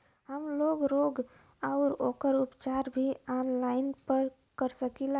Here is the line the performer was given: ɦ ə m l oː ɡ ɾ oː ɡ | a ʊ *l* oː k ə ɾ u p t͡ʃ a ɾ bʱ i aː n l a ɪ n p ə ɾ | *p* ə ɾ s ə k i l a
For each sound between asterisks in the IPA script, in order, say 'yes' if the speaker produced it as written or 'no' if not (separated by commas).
no, no